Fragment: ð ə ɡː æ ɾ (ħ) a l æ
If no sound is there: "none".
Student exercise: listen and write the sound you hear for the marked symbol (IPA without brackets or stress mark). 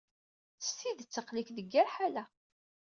ħ